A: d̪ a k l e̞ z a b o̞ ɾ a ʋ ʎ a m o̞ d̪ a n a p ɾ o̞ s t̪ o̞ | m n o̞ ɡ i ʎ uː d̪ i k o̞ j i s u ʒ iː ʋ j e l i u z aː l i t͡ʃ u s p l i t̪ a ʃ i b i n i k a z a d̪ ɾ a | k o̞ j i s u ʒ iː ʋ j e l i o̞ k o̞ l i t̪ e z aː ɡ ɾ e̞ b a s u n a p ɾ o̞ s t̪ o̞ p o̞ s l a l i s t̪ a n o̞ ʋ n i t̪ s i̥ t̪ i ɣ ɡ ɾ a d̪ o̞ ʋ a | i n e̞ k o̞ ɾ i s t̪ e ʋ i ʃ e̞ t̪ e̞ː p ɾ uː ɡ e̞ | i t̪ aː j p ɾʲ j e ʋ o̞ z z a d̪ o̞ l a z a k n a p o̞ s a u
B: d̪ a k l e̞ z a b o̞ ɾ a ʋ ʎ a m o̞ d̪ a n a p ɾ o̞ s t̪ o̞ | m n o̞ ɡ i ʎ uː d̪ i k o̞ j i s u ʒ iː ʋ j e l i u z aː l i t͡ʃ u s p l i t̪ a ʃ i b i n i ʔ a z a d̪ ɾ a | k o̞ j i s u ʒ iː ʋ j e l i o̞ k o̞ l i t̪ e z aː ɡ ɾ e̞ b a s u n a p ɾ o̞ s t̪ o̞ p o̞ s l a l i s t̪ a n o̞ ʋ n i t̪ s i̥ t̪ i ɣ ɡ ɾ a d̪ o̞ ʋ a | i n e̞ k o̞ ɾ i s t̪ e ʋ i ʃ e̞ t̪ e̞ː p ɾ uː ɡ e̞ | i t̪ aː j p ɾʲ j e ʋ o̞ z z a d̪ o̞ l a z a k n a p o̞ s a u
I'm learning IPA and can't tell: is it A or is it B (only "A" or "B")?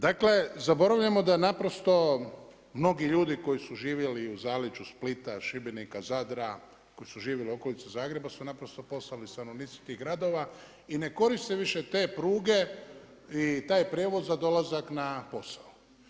A